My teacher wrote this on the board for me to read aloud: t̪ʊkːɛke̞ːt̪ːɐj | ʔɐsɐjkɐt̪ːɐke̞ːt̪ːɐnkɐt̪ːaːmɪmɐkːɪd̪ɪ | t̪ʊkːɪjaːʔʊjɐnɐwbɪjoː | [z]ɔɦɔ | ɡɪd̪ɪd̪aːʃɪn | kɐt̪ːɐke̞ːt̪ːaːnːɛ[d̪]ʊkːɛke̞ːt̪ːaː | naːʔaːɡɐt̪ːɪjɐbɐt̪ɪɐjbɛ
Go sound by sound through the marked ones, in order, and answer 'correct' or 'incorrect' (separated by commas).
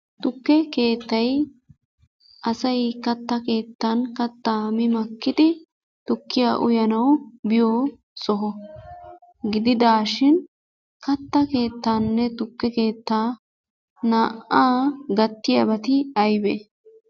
incorrect, incorrect